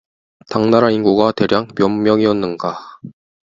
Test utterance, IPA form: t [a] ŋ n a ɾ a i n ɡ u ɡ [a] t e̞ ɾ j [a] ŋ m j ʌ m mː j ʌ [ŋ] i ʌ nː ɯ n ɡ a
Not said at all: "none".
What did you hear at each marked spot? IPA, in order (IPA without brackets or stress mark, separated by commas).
a, a, a, ŋ